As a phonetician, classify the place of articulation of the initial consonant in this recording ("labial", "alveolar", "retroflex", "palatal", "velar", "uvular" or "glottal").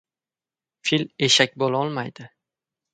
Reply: labial